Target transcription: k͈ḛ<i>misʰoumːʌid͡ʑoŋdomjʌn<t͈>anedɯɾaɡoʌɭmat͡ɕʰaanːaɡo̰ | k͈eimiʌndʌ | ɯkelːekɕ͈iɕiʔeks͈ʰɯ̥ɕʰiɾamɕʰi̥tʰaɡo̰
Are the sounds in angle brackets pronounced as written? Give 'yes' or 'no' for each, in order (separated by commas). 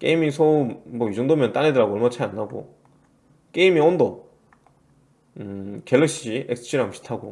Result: yes, yes